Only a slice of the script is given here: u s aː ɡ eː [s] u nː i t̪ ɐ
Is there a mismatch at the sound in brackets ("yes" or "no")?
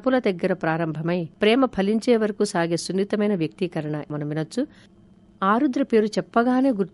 no